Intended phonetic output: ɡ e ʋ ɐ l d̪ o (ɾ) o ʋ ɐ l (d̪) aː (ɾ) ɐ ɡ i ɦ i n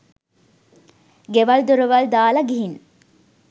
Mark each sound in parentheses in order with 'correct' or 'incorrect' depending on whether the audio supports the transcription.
correct, correct, incorrect: l

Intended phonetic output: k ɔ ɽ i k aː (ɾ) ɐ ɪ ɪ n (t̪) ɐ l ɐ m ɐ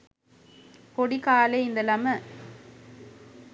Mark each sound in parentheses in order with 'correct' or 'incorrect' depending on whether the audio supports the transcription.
incorrect: l, incorrect: d̪

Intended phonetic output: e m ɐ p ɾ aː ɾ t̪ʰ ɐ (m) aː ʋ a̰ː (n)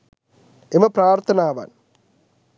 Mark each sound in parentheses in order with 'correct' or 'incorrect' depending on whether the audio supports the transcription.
incorrect: n, correct

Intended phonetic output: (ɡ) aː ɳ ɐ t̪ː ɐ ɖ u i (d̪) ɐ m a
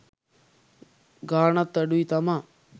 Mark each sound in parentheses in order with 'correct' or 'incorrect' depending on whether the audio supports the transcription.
correct, incorrect: t̪

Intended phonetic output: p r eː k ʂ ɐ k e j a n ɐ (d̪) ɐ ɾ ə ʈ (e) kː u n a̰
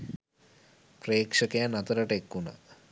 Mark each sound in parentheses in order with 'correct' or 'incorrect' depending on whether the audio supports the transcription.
incorrect: t̪, correct

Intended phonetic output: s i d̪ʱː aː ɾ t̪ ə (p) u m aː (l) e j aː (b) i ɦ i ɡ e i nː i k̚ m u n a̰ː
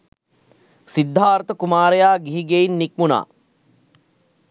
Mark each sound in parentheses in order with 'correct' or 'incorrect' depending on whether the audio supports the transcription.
incorrect: k, incorrect: ɾ, incorrect: ɡ

